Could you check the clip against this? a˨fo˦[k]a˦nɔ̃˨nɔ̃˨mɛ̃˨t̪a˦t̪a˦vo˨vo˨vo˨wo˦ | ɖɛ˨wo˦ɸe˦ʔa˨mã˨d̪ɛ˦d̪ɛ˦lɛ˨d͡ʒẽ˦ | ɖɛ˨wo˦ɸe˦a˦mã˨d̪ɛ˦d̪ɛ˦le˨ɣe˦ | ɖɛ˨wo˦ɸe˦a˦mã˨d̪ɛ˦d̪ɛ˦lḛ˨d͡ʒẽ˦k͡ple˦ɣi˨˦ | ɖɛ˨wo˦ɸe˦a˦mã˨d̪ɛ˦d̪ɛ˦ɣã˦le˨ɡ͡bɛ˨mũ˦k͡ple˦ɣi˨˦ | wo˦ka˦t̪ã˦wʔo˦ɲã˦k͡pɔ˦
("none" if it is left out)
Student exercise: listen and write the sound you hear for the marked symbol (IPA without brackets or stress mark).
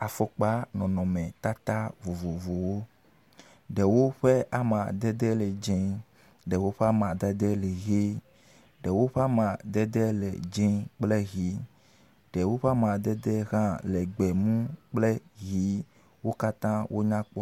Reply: k͡p